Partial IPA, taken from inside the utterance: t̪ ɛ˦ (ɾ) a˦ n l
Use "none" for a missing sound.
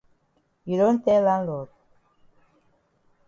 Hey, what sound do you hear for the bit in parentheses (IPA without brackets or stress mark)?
l